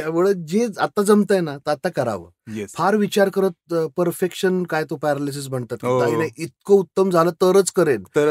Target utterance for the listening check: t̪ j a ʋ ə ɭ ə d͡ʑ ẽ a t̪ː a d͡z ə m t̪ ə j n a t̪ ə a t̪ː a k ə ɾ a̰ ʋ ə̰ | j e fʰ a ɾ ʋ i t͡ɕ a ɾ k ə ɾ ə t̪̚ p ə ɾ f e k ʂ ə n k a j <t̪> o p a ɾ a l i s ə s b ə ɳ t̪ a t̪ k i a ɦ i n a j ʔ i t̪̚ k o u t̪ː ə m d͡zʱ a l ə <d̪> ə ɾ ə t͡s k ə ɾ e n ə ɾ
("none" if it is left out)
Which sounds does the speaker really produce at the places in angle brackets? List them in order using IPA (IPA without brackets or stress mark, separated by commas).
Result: t̪, t̪